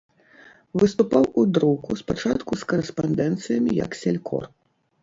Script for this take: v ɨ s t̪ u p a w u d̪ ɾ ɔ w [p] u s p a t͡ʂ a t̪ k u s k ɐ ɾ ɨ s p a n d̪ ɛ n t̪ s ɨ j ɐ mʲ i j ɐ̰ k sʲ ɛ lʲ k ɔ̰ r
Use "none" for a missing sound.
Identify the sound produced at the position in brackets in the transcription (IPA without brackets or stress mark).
k